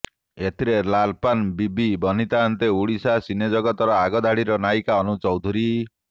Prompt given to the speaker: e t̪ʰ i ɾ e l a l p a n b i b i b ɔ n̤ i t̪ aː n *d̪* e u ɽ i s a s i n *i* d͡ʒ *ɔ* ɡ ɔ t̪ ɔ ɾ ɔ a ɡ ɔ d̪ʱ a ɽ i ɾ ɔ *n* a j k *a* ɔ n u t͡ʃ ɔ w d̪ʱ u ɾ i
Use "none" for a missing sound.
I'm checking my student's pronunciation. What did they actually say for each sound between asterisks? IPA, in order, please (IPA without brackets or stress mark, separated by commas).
t̪, e, ɔ, n, a